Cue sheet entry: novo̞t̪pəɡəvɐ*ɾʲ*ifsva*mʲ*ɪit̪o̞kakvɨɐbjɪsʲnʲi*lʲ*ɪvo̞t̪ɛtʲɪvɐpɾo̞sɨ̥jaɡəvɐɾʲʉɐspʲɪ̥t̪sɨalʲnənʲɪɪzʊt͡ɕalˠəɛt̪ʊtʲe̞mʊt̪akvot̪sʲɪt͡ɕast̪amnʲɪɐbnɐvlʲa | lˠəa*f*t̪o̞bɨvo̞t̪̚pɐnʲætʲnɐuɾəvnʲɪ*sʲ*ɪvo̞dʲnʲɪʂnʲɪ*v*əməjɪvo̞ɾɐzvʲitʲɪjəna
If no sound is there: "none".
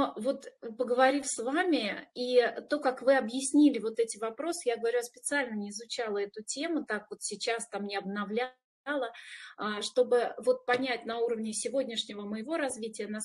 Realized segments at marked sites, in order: ɾʲ, mʲ, lʲ, ʂ, sʲ, v

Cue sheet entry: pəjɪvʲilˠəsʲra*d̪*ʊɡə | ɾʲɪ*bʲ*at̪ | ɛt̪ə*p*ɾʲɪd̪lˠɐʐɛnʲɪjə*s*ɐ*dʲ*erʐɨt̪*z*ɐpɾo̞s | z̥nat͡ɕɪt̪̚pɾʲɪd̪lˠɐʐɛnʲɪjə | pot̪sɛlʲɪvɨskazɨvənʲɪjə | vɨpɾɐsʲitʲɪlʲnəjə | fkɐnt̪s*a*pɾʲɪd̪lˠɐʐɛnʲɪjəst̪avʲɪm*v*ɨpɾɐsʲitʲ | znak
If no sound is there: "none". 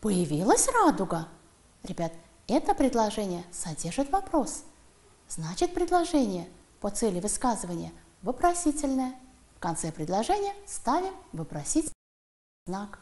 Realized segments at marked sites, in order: d̪, bʲ, p, s, dʲ, v, ɛ, v

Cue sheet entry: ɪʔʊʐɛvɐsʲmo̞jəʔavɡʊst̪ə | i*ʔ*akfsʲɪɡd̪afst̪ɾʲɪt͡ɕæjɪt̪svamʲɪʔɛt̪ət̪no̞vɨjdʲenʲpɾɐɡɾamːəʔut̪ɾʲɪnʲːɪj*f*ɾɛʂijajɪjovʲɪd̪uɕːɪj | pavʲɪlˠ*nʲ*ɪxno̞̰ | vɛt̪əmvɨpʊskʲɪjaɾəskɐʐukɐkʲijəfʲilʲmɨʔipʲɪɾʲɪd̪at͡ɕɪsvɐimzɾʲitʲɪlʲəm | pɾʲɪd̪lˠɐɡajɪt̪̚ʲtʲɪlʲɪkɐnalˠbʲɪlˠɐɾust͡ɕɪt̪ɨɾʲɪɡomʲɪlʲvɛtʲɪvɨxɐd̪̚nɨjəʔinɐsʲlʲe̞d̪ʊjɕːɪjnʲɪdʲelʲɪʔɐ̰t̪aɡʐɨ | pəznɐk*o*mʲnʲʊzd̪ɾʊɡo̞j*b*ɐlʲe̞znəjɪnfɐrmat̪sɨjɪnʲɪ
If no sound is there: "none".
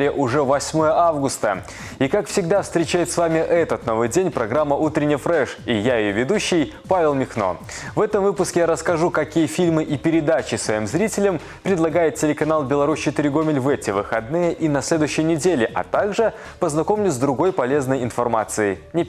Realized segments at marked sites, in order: k, f, mʲ, o, p

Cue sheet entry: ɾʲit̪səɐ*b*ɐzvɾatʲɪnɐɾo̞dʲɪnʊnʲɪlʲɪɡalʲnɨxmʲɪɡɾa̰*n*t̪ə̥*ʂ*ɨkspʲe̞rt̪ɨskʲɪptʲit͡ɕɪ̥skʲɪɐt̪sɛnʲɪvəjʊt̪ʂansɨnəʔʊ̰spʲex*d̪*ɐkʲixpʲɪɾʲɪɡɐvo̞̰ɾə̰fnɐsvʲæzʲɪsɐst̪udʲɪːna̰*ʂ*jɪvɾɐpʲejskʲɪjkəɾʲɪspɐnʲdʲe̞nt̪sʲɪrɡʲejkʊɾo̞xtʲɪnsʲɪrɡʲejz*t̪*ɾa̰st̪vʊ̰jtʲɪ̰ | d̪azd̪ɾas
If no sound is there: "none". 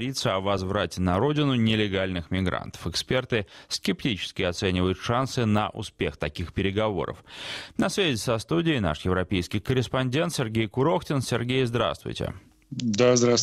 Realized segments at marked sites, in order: v, n, f, t̪, ʂ, d̪

